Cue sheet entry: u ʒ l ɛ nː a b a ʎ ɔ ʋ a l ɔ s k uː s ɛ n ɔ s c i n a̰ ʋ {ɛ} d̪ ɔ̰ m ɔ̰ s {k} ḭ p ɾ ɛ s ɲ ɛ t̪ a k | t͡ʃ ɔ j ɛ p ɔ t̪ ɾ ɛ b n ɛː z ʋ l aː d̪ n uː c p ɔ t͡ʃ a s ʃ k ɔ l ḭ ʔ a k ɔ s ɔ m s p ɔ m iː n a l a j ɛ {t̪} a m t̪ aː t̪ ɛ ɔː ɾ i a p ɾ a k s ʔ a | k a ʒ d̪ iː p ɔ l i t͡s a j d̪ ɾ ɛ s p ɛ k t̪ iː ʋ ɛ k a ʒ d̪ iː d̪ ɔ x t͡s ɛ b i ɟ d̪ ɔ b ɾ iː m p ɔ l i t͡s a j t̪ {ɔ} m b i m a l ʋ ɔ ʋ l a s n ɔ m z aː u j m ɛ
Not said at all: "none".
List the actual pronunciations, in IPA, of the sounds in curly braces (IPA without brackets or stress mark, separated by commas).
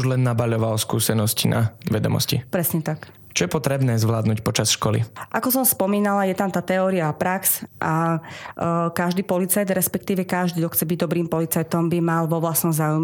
ɛ, c, t̪, ɔ